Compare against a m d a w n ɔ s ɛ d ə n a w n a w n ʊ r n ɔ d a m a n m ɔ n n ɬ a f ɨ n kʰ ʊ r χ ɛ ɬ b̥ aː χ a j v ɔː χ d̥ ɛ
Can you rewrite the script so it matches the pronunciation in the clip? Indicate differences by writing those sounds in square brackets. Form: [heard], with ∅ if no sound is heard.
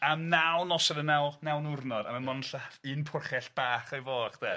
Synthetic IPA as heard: a m [n] a w n ɔ s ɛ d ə n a w n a w n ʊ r n ɔ d a m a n m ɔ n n ɬ a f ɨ n [pʰ] ʊ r χ ɛ ɬ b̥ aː χ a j v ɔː χ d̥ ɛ